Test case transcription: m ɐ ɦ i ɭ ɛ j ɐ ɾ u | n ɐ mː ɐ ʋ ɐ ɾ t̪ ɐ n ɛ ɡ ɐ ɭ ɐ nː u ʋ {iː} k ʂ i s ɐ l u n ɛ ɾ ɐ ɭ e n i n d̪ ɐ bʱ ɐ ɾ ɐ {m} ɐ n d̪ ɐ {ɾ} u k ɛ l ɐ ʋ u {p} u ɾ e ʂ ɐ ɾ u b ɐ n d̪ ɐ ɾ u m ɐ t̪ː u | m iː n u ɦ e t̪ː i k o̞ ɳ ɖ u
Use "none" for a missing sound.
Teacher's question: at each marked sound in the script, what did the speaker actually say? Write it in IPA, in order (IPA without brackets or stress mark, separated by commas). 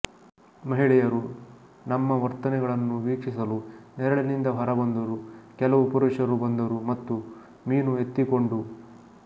iː, b, ɾ, p